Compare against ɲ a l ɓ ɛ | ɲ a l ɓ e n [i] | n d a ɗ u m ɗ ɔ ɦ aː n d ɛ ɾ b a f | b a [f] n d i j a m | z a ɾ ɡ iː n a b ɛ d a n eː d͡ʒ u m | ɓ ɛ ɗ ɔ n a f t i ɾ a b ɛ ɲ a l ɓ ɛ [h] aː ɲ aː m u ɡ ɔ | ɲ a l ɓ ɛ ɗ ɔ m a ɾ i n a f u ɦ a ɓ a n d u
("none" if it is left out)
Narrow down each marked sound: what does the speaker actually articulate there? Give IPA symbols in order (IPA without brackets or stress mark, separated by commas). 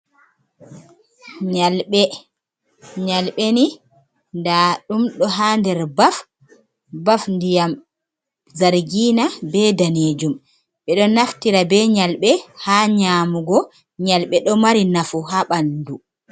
i, f, h